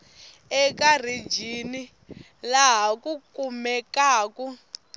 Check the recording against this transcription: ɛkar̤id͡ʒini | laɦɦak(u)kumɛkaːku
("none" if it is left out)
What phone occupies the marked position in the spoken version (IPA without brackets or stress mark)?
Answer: u